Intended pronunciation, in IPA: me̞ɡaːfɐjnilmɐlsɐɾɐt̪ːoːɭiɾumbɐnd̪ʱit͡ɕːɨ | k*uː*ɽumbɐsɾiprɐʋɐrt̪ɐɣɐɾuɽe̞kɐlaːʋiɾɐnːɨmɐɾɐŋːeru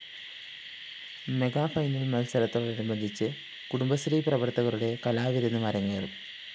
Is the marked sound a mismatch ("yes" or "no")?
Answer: yes